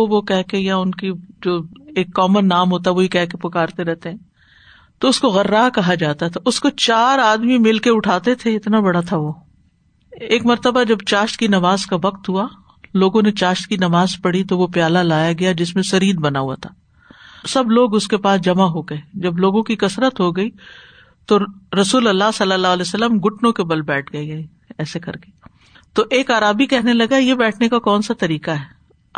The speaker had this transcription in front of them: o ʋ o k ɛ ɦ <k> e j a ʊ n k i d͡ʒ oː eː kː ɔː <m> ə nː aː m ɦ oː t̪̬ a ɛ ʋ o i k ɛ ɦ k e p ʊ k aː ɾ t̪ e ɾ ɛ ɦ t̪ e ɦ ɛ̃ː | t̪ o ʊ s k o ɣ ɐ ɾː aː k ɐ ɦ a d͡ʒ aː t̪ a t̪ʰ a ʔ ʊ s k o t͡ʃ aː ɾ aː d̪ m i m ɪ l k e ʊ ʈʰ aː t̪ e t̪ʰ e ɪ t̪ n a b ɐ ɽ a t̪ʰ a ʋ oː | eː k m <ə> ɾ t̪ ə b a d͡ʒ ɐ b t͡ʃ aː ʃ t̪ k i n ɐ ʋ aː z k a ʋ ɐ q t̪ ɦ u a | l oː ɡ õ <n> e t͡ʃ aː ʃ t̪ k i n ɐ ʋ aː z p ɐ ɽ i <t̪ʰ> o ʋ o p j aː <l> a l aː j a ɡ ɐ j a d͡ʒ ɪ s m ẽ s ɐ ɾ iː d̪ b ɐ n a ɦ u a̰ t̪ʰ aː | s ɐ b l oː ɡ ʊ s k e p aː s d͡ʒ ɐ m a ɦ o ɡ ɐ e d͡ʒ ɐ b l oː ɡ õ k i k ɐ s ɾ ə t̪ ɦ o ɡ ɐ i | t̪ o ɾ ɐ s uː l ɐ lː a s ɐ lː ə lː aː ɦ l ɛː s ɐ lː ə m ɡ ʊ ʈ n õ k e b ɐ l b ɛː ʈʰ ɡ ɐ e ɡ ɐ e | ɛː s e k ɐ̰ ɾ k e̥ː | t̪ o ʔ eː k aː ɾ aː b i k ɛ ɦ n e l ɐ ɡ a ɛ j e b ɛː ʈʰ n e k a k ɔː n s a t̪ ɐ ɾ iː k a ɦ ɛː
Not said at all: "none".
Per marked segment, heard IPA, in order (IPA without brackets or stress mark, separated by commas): k, m, ɐ, n, t̪, l